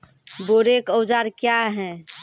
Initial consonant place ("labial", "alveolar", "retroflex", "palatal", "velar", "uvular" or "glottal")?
labial